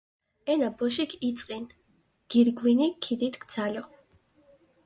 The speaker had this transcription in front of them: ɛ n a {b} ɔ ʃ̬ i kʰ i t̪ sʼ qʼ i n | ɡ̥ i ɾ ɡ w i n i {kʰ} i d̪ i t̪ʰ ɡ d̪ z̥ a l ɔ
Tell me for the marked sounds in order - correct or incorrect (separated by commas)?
correct, correct